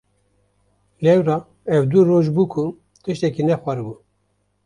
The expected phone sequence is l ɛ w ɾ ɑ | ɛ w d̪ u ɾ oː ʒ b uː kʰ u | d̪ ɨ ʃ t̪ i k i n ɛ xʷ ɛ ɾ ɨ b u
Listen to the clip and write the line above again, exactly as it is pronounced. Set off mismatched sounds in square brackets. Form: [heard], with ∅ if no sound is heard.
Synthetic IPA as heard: l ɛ w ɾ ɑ | ɛ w d̪ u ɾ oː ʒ b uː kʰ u | [t̪] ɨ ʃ t̪ [ɛ] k i n ɛ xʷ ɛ ɾ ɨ b u